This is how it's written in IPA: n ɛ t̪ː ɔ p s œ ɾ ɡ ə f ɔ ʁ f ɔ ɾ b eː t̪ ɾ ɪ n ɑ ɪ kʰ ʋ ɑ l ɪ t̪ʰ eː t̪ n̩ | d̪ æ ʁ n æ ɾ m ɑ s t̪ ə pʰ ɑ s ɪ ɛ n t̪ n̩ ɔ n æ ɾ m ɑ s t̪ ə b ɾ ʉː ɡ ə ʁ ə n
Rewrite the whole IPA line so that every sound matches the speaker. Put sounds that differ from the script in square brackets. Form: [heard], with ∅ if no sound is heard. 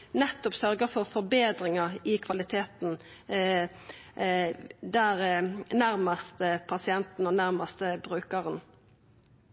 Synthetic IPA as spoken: n ɛ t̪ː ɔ p s œ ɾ ɡ ə f ɔ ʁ f ɔ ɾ b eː [d̪] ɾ ɪ [ŋ] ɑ ɪ kʰ ʋ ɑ l ɪ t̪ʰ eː t̪ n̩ | d̪ æ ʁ n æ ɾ m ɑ s t̪ ə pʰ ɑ s ɪ ɛ n t̪ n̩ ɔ n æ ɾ m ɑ s t̪ ə b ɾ ʉː [k] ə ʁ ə n

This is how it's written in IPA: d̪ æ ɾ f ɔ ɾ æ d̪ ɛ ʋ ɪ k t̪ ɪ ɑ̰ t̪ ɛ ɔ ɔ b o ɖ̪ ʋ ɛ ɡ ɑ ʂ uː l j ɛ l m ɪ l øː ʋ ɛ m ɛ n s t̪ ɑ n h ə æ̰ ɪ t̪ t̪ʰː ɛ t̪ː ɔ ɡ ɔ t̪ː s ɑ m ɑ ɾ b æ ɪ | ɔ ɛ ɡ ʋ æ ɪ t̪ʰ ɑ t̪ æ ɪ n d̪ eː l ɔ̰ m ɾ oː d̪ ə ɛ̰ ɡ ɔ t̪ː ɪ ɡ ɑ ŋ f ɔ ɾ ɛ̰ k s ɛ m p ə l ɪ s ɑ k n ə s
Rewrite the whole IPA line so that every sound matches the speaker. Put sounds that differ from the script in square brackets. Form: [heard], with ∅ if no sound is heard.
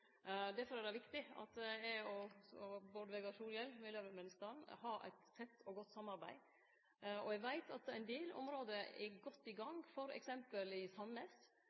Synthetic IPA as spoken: d̪ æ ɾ f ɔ ɾ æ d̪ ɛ ʋ ɪ k t̪ ɪ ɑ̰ t̪ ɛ ɔ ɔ b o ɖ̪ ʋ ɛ ɡ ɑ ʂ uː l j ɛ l m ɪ l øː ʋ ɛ m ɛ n s t̪ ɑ n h [ɑ] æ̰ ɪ t̪ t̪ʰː ɛ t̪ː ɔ ɡ ɔ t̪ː s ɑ m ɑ ɾ b æ ɪ | ɔ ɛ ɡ ʋ æ ɪ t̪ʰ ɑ t̪ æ ɪ n d̪ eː l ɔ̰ m ɾ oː d̪ ə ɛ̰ ɡ ɔ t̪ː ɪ ɡ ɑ ŋ f ɔ ɾ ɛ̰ k s ɛ m p ə l ɪ s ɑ [∅] n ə s

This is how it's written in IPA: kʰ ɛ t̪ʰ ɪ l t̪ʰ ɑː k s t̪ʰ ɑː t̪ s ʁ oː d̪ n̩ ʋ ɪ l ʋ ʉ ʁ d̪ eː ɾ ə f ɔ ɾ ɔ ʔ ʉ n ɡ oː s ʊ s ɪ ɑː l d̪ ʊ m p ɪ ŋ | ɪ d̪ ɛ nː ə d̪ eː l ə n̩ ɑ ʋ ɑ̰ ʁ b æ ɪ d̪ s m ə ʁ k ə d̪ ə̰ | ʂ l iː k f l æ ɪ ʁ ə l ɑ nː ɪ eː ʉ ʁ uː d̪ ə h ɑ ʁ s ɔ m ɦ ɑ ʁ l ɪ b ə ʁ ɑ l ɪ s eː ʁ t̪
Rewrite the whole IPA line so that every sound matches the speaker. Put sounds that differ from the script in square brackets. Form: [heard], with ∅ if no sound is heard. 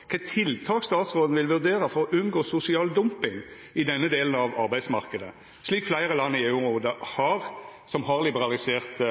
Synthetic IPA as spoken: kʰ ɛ t̪ʰ ɪ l t̪ʰ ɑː k s [t̪] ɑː t̪ s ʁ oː d̪ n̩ ʋ ɪ l ʋ ʉ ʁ d̪ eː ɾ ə f ɔ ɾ ɔ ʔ ʉ n ɡ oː s ʊ s ɪ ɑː l d̪ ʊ m p ɪ ŋ | ɪ d̪ ɛ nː ə d̪ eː l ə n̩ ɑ ʋ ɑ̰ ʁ b æ ɪ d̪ s m [ɑ] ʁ k ə d̪ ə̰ | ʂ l iː k f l æ ɪ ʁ ə l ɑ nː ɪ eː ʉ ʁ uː d̪ ə h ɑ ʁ s ɔ m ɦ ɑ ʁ l ɪ b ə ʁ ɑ l ɪ s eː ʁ t̪

